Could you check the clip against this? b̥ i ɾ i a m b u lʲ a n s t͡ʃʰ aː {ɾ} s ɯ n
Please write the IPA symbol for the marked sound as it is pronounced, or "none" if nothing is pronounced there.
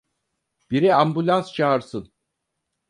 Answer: ɾ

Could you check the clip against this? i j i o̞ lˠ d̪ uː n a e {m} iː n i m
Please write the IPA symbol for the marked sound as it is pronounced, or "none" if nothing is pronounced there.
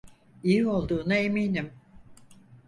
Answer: m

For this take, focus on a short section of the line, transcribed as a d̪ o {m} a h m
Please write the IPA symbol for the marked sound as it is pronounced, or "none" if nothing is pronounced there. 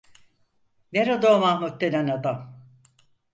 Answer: m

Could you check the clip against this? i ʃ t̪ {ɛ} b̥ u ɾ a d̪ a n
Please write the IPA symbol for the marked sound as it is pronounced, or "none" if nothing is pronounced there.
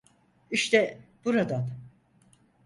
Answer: ɛ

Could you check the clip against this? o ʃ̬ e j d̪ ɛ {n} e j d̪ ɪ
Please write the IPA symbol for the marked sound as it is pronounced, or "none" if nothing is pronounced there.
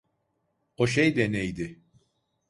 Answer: n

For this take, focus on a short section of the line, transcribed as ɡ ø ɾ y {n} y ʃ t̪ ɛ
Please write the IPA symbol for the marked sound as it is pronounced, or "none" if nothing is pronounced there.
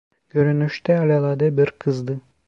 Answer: n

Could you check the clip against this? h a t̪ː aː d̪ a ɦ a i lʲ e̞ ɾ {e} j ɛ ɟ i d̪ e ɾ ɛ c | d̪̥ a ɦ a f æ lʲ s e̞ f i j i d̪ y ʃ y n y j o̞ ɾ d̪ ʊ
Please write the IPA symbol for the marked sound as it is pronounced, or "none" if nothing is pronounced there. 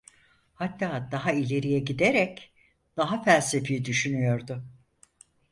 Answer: i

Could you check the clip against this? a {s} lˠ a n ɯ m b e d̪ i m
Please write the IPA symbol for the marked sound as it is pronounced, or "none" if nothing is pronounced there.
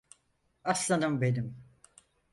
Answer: s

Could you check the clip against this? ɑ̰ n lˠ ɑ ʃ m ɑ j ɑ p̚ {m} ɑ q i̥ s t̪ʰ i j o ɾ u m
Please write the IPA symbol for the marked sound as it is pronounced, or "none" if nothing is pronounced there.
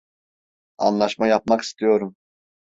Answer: m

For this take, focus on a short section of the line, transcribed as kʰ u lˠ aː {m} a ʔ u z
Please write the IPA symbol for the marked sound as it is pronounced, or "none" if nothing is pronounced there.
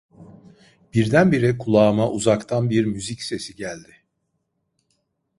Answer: m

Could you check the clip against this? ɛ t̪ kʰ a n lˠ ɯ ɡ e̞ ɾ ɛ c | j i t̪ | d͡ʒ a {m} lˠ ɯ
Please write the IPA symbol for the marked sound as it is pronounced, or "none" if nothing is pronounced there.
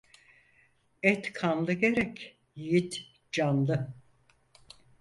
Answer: n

